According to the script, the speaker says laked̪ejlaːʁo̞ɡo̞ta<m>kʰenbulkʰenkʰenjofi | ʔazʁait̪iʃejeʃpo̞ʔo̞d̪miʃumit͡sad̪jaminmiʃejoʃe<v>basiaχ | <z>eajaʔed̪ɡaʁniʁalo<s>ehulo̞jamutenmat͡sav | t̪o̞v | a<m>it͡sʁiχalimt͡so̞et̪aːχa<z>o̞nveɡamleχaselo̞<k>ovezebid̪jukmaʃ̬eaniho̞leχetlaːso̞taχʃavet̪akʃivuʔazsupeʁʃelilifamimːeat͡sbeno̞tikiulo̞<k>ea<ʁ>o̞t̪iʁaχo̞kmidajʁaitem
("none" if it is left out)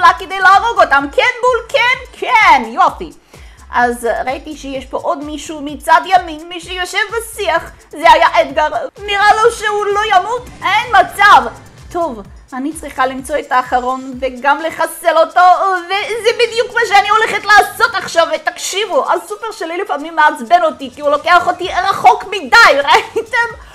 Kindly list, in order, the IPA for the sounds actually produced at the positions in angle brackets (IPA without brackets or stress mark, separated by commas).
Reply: m, v, z, ʃ, n, ʁ, t, k, χ